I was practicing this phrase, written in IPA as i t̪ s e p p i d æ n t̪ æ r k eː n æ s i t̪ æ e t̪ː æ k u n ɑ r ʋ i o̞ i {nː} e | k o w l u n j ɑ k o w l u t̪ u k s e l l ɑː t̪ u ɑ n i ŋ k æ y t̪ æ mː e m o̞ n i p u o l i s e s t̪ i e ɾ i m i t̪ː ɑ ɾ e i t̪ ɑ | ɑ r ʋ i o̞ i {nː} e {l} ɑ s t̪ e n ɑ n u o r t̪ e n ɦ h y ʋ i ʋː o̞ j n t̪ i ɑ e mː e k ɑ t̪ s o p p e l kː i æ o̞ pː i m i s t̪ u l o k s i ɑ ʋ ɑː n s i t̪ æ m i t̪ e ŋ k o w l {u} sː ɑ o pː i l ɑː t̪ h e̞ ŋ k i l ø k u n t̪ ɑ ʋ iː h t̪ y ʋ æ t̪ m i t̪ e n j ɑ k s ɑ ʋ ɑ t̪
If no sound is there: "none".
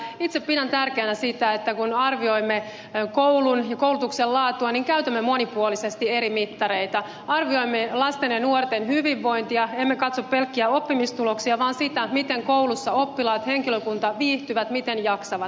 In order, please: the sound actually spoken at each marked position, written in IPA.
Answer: mː, mː, l, u

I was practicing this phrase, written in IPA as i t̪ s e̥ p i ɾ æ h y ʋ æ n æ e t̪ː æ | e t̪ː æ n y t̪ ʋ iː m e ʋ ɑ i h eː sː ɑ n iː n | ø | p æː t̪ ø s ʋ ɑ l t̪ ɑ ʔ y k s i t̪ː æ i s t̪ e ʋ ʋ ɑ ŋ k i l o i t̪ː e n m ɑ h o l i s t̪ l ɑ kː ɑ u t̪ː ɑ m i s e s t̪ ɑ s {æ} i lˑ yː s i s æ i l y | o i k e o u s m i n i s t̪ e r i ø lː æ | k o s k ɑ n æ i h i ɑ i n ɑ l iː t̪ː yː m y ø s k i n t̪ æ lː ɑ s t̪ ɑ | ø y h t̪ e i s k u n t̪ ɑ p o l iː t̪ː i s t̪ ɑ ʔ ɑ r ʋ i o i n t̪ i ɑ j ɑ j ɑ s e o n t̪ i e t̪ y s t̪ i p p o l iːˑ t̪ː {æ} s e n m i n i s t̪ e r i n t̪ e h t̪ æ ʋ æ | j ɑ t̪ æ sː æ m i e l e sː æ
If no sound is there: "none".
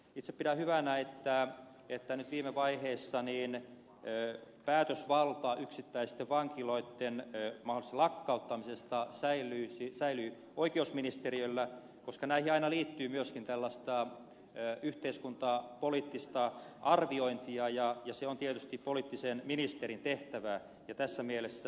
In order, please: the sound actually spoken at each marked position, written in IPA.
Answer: æ, i

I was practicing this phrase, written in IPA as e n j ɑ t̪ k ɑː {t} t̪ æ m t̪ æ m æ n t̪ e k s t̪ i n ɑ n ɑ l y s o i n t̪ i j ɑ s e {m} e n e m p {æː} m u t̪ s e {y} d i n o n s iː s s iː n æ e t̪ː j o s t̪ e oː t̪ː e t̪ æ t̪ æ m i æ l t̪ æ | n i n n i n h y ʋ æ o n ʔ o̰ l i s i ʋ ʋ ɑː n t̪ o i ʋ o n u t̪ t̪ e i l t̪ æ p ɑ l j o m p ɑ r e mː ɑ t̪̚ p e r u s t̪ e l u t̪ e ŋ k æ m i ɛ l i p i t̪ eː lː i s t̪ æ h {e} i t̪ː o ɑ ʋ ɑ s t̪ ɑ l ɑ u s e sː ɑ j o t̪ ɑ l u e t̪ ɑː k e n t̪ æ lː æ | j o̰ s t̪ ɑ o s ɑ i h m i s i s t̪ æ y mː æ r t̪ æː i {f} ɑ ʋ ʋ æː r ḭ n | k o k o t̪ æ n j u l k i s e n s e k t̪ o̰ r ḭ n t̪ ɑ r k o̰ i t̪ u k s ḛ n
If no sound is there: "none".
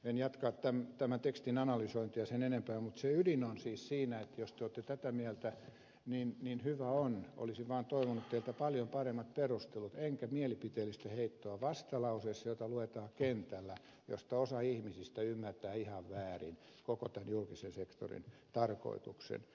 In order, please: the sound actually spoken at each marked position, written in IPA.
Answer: t, n, æː, y, e, h

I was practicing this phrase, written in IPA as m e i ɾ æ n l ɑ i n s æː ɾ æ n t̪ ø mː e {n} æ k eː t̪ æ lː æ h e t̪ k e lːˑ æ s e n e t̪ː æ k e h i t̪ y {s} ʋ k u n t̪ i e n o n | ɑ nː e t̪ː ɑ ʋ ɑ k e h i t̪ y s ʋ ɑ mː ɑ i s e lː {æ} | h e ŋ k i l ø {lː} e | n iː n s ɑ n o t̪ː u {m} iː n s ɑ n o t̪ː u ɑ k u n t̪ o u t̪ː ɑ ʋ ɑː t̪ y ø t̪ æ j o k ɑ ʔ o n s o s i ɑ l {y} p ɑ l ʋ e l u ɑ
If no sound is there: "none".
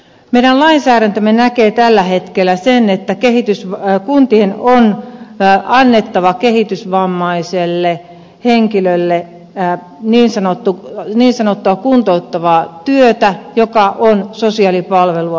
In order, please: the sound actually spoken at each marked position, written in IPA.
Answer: n, s, e, lː, n, i

